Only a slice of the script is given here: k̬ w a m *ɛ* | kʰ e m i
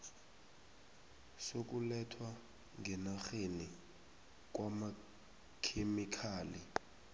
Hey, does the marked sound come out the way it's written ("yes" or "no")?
no